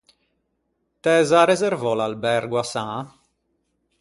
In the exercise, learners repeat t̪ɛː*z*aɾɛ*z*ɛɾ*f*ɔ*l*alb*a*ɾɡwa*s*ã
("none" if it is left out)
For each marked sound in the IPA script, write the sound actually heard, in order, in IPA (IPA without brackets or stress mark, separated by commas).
z, z, v, l, ɛ, s